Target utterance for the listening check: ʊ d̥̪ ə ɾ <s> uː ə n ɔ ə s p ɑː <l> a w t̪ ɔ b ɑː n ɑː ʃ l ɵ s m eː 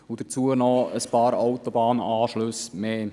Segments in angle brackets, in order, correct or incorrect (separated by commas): incorrect, incorrect